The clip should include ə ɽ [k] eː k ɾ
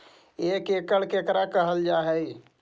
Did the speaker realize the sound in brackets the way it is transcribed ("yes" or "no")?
yes